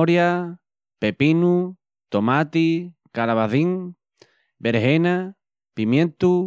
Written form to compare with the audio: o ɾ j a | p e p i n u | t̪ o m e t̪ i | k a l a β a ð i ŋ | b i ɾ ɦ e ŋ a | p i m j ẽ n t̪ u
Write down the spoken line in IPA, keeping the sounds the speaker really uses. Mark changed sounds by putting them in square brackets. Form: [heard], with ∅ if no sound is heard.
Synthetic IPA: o ɾ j a | p e p i n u | t̪ o m [a] t̪ i | k a l a β a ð i ŋ | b [e] ɾ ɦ e [n] a | p i m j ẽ n t̪ u